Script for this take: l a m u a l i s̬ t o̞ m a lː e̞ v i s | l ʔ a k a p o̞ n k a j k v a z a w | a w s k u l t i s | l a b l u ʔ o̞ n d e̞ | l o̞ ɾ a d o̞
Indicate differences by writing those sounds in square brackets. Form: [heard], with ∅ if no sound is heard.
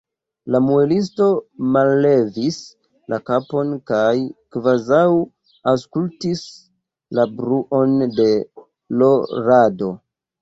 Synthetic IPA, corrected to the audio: l a m u [e] l i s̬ t o̞ m a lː e̞ v i s | l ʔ a k a p o̞ n k a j k v a z a w | a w s k u l t i s | l a b [ɾ] u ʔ o̞ n d e̞ | l o̞ ɾ a d o̞